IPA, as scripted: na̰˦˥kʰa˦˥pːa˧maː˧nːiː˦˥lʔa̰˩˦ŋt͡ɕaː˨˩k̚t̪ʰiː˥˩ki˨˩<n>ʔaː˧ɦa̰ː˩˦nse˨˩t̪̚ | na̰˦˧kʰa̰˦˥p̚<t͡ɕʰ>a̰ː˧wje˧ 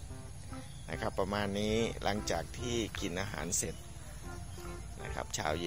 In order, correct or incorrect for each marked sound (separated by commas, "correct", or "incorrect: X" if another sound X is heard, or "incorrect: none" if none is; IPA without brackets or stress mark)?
correct, correct